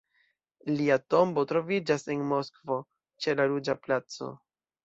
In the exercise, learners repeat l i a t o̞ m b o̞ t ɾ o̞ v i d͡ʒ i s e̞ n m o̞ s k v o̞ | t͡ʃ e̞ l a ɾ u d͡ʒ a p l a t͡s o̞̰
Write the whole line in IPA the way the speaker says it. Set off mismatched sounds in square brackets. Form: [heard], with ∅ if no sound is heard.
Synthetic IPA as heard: l i a t o̞ m b o̞ t ɾ o̞ v i d͡ʒ [a] s e̞ n m o̞ s k v o̞ | t͡ʃ e̞ l a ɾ u d͡ʒ a p l a t͡s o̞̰